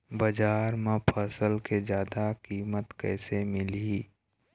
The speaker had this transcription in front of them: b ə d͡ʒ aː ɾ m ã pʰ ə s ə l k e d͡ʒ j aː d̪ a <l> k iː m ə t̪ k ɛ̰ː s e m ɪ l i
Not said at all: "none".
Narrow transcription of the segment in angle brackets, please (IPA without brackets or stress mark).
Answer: none